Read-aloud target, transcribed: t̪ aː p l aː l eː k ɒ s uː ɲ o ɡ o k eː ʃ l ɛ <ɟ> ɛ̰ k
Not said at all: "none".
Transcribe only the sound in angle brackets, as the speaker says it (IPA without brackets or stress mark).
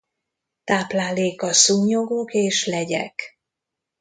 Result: ɟ